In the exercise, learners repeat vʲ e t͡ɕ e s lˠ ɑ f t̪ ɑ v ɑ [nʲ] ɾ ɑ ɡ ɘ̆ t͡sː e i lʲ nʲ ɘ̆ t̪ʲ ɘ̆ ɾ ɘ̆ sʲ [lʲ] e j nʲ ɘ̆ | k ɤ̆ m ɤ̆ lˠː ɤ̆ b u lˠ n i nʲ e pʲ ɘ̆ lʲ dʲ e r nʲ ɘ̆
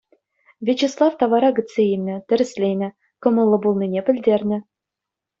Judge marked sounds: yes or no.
no, yes

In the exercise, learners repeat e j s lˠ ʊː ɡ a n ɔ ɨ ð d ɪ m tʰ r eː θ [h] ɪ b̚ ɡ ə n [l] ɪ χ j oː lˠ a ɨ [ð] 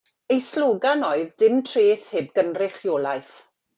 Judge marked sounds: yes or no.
yes, no, no

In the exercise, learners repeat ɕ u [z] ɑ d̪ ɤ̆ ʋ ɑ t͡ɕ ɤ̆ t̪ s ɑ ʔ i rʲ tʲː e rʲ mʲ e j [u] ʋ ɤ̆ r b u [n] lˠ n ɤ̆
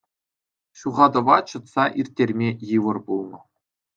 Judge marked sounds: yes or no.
no, no, no

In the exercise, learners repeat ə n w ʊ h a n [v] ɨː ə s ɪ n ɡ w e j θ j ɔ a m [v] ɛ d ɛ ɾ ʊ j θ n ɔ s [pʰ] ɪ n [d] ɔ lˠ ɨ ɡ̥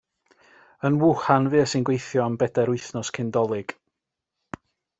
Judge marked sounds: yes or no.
yes, no, no, yes

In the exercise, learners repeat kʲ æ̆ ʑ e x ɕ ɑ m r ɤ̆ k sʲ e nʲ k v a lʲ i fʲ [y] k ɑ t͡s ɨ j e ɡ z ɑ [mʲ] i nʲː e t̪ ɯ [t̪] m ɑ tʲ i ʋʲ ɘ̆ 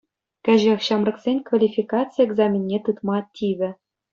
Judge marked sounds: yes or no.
no, yes, yes

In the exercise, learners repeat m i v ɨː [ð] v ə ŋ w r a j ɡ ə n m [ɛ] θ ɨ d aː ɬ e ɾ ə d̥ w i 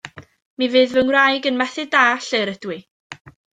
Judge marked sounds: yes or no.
yes, yes

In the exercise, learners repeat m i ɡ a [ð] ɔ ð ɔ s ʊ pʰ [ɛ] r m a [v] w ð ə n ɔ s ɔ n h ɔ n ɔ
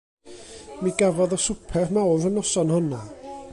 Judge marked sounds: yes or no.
no, yes, no

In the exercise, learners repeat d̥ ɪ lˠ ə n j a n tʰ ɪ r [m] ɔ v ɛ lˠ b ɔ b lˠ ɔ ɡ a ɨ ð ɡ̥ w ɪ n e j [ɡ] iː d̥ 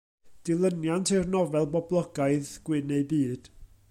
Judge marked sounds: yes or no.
no, no

